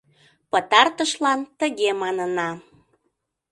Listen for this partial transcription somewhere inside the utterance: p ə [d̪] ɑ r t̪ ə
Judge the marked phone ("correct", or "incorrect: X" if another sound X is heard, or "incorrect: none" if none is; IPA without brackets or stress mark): incorrect: t̪